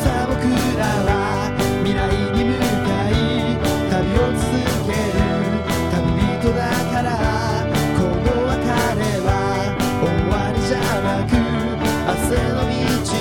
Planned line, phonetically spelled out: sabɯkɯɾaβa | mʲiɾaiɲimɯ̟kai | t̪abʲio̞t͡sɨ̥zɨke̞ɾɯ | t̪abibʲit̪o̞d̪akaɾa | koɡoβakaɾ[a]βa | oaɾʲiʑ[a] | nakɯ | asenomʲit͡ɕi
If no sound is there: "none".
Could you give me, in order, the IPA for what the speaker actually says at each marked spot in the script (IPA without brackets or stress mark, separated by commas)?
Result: e, a